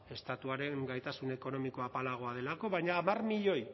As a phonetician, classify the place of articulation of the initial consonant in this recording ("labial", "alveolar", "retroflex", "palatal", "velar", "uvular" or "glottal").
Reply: alveolar